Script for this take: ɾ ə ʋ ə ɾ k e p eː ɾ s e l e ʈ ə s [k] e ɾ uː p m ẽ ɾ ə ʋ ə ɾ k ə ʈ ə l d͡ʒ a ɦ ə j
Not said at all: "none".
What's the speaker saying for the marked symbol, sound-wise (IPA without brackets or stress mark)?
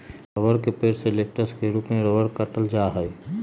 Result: k